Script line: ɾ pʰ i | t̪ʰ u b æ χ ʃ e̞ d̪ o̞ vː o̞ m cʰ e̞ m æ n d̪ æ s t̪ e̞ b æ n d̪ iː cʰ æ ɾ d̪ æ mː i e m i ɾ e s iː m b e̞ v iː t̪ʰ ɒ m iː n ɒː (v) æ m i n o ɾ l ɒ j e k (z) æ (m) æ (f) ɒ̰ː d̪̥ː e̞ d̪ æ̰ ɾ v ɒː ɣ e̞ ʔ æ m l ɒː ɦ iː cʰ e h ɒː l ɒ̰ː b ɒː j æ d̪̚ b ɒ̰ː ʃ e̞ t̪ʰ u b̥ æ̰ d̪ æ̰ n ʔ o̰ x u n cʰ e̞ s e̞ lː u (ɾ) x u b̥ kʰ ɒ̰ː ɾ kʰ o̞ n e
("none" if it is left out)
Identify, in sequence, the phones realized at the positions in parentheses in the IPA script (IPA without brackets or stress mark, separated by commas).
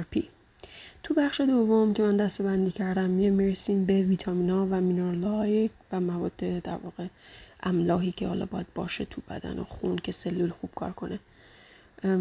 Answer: v, v, m, v, l